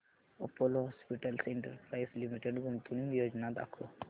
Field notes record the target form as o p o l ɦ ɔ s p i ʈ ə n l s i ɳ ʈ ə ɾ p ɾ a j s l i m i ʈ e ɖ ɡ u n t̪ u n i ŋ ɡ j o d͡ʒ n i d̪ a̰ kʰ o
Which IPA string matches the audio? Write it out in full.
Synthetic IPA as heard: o p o l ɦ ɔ s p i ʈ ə l s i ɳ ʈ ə ɾ p ɾ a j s l i m i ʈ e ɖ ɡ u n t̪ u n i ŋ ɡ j o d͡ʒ n a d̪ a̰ kʰ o